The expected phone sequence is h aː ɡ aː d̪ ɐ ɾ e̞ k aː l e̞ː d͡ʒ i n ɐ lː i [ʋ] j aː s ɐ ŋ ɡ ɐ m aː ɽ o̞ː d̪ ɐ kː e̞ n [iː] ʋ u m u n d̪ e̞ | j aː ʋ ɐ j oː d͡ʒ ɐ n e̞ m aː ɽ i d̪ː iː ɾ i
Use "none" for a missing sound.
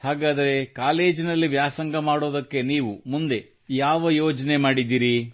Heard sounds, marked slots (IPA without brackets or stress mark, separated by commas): ʋ, iː